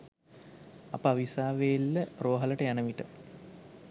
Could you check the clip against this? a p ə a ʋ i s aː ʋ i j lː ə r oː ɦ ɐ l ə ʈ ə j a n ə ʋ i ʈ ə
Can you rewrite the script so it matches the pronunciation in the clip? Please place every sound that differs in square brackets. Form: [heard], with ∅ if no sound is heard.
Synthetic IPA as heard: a p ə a ʋ i s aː ʋ [e] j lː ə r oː ɦ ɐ l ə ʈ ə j a n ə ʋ i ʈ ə